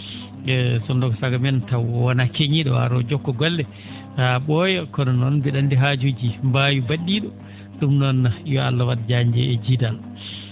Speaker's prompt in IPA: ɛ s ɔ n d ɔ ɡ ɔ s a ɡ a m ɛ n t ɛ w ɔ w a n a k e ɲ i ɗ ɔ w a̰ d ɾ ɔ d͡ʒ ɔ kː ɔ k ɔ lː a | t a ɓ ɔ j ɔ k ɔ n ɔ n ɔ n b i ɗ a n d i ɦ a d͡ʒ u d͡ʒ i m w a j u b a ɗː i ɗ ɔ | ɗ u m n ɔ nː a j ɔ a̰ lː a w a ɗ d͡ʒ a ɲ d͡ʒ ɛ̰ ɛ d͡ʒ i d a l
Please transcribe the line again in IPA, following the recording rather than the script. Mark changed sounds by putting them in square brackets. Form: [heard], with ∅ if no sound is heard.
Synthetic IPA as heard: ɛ s ɔ n d ɔ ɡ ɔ s a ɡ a m ɛ n t [a] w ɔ w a n a k e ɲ i ɗ ɔ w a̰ [∅] ɾ ɔ d͡ʒ ɔ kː ɔ [ɡ] ɔ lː [ɛ] | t a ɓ ɔ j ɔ k ɔ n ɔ n ɔ n b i ɗ a n d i ɦ a d͡ʒ u d͡ʒ i m [b] a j u b a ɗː i ɗ ɔ | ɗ u m n ɔ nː a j ɔ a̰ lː a w a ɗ d͡ʒ a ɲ d͡ʒ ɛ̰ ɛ d͡ʒ i d a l